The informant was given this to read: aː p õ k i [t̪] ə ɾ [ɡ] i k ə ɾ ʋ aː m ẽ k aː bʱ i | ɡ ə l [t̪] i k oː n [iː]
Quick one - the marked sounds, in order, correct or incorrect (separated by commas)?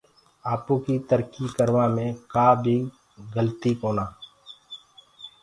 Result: correct, incorrect, correct, incorrect